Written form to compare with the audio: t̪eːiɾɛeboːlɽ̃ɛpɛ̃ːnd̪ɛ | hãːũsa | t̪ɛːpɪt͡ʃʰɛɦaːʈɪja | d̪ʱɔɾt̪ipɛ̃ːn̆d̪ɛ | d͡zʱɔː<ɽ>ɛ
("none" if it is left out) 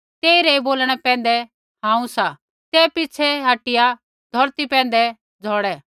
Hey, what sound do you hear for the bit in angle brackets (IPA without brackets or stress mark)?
ɽ